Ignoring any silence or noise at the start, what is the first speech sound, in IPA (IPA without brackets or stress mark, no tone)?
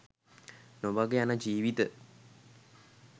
n